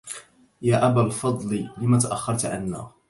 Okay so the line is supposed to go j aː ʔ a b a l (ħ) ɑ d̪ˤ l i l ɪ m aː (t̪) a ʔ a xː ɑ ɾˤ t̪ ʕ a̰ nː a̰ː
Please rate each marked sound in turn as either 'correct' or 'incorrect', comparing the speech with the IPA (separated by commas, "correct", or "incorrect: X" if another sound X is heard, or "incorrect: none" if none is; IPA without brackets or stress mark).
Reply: incorrect: f, correct